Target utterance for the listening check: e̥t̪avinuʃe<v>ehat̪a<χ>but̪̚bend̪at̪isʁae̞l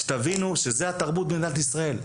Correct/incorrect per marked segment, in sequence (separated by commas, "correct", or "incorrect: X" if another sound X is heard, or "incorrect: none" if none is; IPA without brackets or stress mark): incorrect: z, incorrect: ʁ